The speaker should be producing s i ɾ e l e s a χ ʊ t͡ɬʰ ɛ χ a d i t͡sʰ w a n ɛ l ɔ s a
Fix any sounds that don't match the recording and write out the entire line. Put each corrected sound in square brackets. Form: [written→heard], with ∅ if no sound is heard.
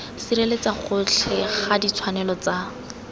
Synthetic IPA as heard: s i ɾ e l e [s→t͡s] a χ ʊ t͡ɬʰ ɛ χ a d i t͡sʰ w a n ɛ l ɔ [s→t͡s] a